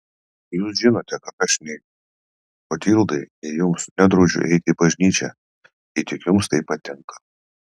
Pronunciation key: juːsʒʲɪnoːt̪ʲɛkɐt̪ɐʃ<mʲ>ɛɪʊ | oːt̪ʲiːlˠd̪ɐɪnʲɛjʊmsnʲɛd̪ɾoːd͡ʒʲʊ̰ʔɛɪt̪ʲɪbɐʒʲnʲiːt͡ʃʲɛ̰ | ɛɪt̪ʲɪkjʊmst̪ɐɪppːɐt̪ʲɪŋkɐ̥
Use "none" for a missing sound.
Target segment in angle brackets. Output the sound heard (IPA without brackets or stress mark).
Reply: nʲ